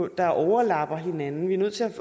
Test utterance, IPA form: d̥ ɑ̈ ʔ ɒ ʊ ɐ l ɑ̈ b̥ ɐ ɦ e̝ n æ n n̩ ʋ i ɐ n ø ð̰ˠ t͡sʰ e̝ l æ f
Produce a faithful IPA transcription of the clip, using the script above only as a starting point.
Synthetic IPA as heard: d̥ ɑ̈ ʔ ɒ ʊ ɐ l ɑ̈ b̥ ɐ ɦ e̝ n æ n n̩ ʋ i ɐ n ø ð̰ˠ t͡sʰ e̝ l æ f